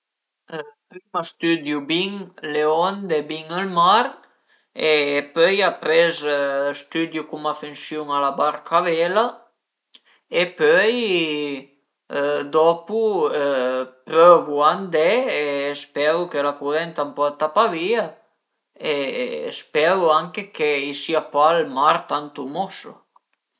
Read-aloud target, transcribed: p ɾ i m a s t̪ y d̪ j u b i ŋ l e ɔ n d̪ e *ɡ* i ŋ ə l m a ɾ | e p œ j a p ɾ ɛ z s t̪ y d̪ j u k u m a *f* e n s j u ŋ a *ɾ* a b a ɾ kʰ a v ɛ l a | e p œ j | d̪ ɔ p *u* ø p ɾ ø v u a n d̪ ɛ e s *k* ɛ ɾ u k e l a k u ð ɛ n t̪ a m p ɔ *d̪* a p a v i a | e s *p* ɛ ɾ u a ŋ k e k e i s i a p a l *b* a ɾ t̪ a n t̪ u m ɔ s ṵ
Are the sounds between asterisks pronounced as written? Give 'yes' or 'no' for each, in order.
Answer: no, yes, no, yes, no, no, yes, no

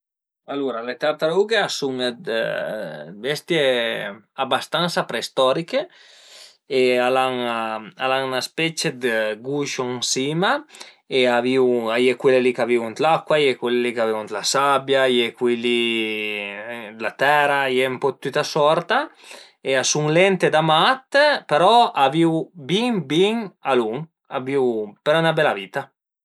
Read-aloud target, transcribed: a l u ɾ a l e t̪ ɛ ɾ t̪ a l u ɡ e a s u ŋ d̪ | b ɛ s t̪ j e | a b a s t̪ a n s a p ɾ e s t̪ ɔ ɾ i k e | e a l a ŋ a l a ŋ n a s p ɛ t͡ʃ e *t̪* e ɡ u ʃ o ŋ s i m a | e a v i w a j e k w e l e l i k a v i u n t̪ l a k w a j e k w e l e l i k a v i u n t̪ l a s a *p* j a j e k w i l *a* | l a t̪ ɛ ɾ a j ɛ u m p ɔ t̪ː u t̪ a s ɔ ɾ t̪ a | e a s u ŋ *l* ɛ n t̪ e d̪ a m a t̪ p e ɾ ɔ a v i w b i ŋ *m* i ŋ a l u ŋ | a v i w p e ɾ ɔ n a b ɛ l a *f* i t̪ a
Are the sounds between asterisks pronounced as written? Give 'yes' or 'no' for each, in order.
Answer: no, no, no, yes, no, no

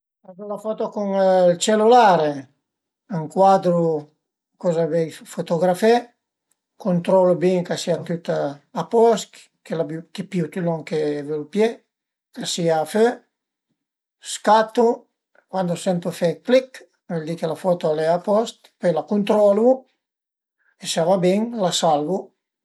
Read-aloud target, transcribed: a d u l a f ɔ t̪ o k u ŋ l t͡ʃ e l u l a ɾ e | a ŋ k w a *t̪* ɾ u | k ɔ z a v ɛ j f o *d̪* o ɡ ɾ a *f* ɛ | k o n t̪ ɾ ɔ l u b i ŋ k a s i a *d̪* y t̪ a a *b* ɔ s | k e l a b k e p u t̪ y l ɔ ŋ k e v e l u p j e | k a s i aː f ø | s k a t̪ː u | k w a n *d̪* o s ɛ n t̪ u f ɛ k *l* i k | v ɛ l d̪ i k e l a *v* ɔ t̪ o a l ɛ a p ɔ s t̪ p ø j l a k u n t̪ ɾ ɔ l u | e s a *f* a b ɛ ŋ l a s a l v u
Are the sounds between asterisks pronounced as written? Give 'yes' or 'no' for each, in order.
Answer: no, no, yes, no, no, yes, yes, no, no

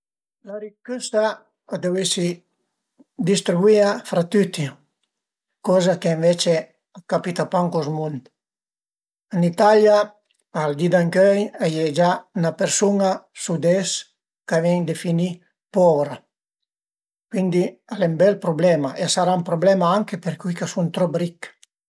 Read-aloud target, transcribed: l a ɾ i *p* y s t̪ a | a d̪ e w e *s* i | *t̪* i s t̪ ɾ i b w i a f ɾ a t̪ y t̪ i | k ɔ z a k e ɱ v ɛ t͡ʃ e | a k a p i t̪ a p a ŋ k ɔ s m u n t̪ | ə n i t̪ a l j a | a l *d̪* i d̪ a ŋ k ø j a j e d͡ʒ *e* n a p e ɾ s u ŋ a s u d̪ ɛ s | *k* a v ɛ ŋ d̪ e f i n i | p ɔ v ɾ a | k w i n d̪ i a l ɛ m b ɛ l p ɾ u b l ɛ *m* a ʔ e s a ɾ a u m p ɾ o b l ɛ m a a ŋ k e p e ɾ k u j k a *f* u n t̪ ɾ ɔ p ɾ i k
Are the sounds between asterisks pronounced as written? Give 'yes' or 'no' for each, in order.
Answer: no, yes, no, yes, no, yes, yes, no

